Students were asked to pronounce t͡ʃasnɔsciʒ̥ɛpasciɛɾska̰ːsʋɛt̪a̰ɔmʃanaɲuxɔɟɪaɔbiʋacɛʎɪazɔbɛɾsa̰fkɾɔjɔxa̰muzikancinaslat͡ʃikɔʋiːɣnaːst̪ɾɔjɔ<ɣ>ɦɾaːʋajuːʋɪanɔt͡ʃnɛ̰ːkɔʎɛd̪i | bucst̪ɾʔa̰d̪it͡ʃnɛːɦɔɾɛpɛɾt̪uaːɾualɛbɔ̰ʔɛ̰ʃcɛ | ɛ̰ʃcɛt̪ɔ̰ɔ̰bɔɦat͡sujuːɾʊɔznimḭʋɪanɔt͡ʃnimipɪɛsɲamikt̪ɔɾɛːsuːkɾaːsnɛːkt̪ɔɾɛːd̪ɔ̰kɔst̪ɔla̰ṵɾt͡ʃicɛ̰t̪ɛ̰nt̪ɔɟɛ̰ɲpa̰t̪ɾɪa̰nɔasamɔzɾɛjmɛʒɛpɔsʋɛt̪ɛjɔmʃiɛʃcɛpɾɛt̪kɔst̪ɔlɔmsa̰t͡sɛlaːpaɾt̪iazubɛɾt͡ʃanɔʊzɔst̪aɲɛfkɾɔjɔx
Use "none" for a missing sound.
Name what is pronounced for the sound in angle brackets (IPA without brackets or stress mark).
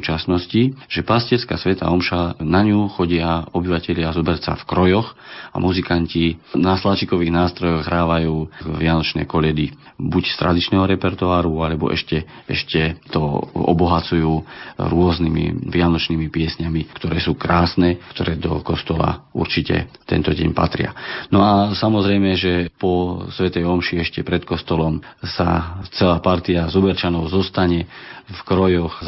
ɣ